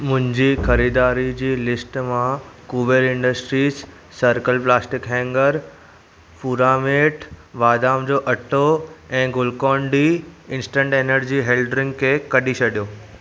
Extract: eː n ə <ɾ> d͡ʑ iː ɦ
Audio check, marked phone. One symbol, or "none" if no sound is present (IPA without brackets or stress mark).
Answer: ɾ